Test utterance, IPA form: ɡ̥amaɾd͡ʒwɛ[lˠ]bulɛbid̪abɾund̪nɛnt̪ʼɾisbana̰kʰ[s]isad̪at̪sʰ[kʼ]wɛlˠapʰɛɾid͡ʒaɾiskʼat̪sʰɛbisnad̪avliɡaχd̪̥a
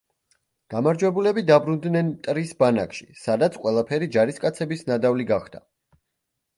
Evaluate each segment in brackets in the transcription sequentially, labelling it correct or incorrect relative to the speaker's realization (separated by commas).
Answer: incorrect, incorrect, incorrect